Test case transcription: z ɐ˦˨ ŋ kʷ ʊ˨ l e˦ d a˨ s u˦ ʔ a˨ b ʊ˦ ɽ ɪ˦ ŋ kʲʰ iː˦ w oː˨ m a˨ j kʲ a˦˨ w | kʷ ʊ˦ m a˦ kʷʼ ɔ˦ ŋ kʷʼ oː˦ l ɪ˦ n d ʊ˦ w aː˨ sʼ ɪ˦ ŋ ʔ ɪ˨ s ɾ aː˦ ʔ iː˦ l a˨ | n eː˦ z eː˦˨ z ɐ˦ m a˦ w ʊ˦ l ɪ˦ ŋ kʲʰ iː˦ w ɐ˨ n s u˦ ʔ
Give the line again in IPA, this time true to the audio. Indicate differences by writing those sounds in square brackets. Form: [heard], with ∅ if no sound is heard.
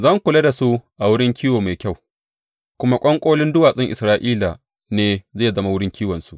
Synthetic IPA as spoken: z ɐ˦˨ ŋ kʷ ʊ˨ l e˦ d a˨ s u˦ ʔ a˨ [w] ʊ˦ ɽ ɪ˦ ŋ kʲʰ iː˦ w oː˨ m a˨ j kʲ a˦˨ w | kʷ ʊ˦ m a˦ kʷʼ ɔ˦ ŋ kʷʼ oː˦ l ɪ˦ n d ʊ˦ w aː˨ sʼ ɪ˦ ŋ ʔ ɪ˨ s ɾ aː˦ ʔ iː˦ l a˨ | n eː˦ z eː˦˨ z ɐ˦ m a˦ w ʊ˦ [ɽ] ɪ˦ ŋ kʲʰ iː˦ w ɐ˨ n s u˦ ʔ